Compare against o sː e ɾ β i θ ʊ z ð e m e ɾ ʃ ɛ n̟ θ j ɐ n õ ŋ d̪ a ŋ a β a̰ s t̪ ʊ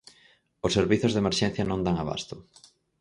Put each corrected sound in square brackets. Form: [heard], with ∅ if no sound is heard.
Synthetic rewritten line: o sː e ɾ β i θ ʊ z ð e m e ɾ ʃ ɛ n̟ θ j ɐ n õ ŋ d̪ a ŋ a β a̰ s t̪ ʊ